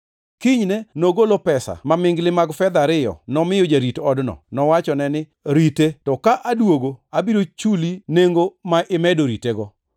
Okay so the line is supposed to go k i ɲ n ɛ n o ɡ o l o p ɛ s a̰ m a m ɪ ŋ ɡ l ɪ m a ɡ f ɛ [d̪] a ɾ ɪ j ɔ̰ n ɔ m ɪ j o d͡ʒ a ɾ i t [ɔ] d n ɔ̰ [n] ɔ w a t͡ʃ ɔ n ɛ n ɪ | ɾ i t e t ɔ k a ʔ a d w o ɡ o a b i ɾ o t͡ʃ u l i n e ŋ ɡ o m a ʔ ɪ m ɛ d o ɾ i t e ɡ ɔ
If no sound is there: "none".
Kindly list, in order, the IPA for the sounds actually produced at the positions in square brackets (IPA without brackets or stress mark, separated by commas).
d̪, ɔ, n